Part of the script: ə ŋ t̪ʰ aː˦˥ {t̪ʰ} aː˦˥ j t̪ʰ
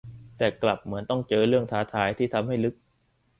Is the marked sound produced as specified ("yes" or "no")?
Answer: yes